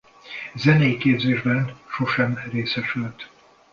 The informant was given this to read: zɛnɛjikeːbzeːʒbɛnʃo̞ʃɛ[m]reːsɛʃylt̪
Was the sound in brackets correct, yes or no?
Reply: yes